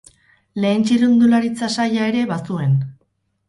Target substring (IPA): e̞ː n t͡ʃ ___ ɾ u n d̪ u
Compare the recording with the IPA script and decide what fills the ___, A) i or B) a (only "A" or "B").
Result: A